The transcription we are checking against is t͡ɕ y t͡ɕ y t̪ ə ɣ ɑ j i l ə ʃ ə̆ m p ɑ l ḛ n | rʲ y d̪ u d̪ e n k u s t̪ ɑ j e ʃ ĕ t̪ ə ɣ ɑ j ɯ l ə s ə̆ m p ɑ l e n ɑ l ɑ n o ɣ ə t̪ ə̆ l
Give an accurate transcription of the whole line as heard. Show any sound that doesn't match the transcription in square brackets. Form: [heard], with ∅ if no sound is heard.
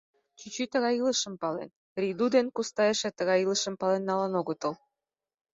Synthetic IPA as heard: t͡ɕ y t͡ɕ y t̪ ə ɣ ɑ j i l ə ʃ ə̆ m p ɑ l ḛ n | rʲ [i] d̪ u d̪ e n k u s t̪ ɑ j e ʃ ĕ t̪ ə ɣ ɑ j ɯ l ə [ʃ] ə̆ m p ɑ l e [nː] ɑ l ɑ n o ɣ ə t̪ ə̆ l